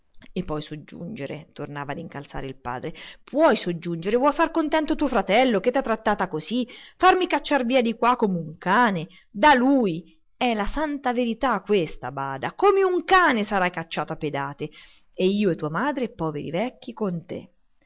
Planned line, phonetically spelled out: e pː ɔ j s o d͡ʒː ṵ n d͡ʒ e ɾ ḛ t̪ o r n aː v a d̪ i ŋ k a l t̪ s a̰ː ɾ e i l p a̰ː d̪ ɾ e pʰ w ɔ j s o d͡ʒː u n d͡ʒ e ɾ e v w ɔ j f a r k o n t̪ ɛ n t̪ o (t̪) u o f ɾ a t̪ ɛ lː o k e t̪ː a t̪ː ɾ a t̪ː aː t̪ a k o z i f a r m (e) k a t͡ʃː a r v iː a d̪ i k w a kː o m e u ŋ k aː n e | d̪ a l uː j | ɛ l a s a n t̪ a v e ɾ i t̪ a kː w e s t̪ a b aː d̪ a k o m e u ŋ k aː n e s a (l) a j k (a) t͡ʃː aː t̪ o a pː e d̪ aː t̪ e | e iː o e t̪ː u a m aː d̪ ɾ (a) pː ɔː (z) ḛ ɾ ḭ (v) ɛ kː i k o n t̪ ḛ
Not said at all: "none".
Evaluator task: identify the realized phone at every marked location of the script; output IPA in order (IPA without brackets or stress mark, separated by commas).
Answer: t̪, i, ɾ, a, e, v, v